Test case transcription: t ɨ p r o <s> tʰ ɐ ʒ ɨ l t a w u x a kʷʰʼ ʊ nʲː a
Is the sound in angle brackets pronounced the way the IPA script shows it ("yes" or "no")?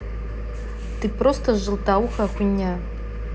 yes